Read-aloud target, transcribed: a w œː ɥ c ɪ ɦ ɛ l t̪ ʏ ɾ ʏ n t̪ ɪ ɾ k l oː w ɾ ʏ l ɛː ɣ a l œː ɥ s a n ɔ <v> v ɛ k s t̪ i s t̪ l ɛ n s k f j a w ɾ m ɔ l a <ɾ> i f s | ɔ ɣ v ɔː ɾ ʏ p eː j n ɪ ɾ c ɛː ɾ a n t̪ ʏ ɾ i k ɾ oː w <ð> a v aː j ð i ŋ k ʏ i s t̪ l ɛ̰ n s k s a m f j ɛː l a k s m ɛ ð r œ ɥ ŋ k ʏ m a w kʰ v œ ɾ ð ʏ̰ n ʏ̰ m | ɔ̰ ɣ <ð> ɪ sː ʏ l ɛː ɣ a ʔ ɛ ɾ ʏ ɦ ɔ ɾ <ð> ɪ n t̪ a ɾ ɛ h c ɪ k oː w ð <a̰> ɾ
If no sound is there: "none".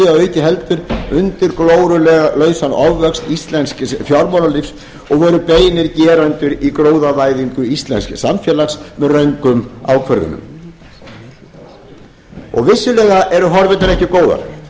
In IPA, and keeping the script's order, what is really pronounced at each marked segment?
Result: v, l, ð, v, v, a̰

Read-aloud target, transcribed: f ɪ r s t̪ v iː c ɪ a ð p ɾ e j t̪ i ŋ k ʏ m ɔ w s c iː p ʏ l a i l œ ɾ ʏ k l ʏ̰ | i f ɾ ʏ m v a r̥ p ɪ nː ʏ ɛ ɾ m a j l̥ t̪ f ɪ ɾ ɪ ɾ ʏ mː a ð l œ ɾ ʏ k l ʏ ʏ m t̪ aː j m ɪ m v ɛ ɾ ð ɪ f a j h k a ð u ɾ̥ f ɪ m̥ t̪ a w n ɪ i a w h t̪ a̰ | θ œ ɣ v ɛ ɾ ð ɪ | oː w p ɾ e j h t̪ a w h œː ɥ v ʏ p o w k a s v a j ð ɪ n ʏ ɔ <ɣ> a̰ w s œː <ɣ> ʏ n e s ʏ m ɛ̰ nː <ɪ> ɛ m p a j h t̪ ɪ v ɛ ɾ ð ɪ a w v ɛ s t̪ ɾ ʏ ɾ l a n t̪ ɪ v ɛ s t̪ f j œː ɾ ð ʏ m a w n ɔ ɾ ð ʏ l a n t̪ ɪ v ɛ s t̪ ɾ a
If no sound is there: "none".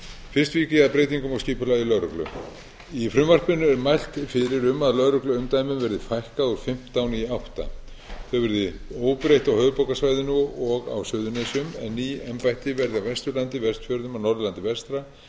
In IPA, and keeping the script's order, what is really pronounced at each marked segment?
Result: ɣ, ð, i

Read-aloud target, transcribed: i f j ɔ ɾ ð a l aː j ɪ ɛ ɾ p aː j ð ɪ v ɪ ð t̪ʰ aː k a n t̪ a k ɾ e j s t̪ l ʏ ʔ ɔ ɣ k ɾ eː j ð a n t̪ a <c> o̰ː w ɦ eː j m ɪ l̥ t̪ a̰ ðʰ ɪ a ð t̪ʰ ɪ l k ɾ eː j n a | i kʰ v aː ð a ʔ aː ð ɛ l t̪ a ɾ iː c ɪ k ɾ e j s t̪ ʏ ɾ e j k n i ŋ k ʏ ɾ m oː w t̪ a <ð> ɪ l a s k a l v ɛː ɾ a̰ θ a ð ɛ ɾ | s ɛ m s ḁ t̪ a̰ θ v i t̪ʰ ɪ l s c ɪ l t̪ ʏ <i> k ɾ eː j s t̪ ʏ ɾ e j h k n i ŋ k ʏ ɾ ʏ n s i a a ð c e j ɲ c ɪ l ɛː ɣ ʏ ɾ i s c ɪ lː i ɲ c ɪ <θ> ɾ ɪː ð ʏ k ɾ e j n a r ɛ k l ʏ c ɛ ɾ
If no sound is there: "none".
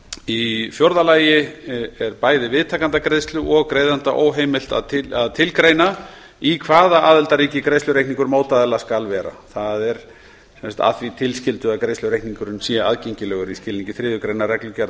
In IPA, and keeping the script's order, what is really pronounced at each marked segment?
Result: ʔ, ð, a, θ

